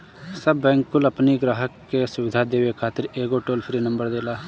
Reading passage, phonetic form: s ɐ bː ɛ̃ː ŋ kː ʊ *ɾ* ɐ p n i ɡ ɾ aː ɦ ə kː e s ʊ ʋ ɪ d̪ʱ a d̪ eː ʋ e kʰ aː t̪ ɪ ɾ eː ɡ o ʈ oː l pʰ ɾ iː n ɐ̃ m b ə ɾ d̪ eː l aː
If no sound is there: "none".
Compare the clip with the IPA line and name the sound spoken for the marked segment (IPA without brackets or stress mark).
l